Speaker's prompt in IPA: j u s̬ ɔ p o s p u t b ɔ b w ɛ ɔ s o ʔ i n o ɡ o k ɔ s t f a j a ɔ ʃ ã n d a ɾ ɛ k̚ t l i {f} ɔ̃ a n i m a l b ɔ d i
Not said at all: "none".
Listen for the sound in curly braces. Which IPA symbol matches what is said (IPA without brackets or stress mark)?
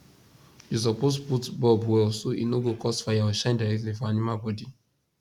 f